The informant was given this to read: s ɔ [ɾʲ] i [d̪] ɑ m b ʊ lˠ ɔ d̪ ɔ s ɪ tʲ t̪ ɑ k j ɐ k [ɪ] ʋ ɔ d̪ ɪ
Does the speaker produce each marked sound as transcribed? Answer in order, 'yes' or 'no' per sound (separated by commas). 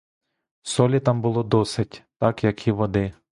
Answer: no, no, no